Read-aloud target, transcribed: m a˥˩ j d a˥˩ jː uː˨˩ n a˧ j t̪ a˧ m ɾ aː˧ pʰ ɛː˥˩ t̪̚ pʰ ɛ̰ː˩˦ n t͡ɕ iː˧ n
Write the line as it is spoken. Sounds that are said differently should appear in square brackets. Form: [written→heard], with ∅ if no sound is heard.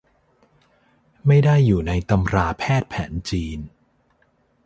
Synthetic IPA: m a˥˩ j d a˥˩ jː uː˨˩ n a˧ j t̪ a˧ m ɾ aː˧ pʰ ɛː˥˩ t̪̚ pʰ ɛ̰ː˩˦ n t͡ɕ iː˧ n